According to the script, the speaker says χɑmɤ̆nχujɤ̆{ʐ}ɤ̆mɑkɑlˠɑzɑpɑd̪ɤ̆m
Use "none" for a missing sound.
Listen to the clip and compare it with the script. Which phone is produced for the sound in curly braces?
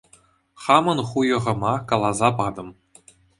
ʁ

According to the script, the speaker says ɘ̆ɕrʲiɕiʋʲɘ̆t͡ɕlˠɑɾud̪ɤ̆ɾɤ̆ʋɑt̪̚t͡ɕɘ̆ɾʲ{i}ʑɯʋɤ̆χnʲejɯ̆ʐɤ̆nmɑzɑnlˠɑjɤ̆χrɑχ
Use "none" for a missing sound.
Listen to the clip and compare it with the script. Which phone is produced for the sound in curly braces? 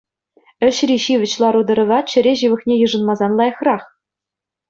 e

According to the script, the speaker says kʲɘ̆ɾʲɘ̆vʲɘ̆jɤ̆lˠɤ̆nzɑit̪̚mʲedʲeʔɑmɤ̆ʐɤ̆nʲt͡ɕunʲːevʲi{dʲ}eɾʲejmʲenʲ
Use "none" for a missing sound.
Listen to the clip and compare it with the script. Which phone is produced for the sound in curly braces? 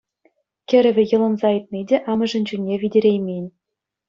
dʲ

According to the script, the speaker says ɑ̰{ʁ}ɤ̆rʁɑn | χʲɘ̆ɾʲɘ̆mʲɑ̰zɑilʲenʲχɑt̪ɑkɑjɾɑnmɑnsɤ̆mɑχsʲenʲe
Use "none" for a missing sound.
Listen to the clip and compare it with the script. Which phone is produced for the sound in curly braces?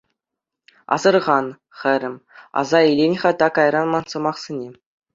z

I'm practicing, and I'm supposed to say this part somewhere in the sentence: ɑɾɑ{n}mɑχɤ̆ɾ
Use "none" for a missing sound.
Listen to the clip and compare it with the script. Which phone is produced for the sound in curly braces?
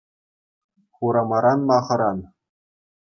n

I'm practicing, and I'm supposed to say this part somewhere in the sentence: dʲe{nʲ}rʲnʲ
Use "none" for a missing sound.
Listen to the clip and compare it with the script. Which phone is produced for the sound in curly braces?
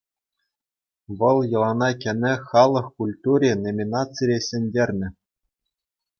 none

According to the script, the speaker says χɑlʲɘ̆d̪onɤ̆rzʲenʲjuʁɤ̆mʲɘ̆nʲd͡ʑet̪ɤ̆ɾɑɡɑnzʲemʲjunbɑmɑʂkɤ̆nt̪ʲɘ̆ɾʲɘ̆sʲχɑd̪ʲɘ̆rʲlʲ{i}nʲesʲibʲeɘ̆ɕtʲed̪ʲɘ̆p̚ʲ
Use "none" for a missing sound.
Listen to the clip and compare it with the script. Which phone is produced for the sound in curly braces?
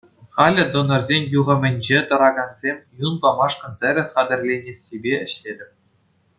e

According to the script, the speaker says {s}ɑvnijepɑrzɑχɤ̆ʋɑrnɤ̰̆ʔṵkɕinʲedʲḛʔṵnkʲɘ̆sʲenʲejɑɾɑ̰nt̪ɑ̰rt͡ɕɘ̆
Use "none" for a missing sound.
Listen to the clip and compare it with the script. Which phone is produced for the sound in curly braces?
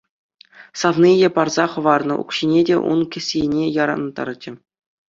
s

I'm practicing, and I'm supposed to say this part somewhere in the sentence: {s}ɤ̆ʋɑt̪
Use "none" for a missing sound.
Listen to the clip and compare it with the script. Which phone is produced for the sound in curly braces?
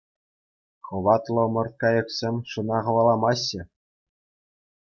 χ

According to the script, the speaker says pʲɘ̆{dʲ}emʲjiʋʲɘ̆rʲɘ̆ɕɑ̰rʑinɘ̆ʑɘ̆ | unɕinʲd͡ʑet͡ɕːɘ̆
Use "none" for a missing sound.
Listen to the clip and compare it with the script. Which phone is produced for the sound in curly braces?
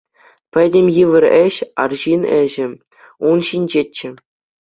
dʲ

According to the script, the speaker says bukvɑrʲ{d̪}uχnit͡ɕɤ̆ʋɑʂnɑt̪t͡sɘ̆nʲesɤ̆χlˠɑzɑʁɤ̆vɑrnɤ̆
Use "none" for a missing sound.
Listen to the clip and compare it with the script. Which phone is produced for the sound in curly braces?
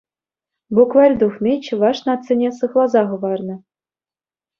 d̪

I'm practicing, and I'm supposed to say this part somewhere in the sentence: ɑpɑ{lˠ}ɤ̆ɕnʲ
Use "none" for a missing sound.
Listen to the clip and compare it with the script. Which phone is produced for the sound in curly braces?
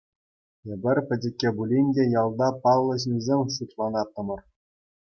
lˠː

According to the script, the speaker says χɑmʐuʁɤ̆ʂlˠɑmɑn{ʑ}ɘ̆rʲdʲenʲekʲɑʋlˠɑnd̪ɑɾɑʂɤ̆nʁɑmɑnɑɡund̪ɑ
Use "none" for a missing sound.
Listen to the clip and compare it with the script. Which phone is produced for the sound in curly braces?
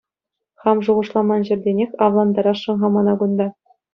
ʑ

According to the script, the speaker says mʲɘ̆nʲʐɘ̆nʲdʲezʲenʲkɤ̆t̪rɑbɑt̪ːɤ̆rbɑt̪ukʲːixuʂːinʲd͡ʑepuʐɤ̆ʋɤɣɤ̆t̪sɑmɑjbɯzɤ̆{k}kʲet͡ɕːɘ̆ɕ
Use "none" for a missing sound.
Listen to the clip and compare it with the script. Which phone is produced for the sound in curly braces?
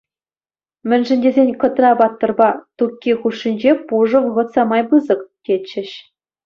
k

